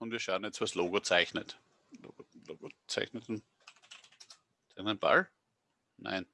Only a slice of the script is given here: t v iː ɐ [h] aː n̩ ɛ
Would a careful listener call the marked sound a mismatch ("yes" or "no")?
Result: yes